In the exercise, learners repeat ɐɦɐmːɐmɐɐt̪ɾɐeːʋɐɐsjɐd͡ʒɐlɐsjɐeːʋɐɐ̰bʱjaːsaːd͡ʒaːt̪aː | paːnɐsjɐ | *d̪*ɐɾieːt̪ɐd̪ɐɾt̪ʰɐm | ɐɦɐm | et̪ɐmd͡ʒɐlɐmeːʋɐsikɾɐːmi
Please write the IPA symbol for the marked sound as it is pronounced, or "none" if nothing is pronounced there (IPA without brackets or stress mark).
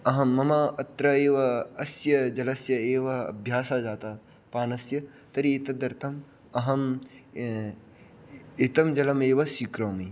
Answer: t̪